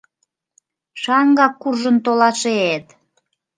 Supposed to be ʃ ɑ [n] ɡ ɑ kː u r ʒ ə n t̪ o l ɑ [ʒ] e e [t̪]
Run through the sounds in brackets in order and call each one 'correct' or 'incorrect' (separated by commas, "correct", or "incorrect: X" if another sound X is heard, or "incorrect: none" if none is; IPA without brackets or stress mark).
incorrect: ŋ, incorrect: ʃ, correct